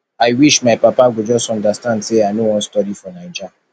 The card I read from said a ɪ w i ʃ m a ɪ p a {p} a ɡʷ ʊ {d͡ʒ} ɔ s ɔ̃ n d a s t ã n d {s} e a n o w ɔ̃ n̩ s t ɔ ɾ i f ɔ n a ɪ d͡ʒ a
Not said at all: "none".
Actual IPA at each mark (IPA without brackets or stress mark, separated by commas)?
p, d͡ʒ, s